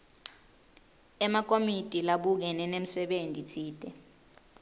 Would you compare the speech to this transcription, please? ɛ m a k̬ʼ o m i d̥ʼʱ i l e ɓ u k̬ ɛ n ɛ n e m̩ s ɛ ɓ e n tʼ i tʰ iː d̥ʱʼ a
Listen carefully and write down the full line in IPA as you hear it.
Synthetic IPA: ɛ m a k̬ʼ o m i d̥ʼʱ i l a ɓ u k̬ ɛ n ɛ n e m̩ s ɛ ɓ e n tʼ i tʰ iː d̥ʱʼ ɛ